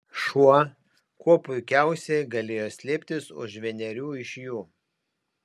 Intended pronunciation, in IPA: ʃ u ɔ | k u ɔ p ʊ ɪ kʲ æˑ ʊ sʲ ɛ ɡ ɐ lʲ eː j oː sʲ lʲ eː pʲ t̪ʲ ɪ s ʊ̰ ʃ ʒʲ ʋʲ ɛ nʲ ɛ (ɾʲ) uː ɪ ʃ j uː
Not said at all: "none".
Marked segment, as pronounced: ɾʲ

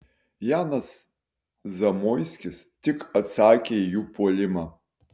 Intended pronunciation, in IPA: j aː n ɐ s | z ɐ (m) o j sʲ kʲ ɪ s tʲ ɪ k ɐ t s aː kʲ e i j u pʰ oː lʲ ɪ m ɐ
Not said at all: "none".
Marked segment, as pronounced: m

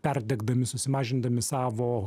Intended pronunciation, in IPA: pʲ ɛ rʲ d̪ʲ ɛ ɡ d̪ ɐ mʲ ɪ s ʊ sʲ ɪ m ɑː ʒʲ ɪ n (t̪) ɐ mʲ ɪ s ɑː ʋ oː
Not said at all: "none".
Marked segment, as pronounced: d̪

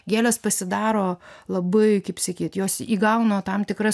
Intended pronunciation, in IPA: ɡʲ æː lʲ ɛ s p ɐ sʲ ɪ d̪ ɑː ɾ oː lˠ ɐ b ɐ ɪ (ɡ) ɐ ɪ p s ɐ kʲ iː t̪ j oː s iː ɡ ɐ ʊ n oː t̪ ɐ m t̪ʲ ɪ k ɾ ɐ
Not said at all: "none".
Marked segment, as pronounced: k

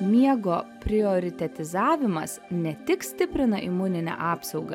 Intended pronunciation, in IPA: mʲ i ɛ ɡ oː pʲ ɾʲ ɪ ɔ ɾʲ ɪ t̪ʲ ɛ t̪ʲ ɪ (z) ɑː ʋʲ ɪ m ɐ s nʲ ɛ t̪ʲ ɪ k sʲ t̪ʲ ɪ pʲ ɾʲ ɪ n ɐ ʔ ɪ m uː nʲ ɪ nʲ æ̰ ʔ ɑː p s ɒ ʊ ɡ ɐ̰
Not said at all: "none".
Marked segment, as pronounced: z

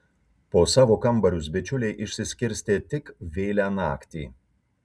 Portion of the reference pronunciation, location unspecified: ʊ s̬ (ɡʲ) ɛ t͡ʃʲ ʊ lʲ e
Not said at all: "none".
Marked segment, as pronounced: bʲ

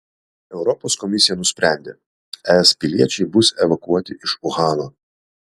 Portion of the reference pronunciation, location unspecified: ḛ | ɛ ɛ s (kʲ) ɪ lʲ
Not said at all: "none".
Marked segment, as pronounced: pʲ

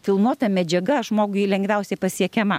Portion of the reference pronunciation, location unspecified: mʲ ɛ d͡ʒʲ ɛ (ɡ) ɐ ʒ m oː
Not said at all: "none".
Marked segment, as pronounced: ɡ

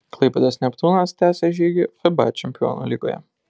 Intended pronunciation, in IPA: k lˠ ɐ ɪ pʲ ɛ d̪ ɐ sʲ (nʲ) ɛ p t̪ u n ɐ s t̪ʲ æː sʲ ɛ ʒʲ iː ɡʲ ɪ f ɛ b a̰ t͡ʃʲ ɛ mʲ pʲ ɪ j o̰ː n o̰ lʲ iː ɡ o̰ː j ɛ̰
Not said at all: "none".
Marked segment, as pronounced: nʲ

